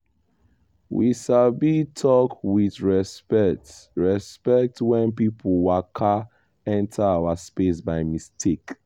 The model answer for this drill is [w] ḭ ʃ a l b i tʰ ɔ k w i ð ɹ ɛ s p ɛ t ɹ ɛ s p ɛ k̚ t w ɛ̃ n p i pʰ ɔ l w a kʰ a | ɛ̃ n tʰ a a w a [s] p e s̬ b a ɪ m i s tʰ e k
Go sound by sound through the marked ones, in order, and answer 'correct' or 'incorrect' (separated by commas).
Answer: correct, correct